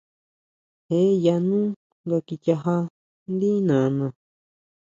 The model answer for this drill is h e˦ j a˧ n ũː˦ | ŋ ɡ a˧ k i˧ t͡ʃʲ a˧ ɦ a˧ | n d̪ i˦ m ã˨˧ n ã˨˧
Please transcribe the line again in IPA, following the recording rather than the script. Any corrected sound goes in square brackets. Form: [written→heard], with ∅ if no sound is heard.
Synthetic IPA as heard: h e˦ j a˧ n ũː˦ | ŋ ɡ a˧ k i˧ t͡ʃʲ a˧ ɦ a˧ | n d̪ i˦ [m→n] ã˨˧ n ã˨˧